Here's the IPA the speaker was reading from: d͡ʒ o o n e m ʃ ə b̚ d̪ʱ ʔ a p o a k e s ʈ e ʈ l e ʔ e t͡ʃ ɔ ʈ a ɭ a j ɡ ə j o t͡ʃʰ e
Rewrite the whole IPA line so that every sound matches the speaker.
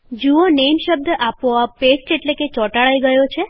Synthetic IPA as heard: d͡ʒ u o n e m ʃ ə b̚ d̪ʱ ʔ a p o a p e s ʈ e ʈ l e k e t͡ʃ ɔ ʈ a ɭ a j ɡ ə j o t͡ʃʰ e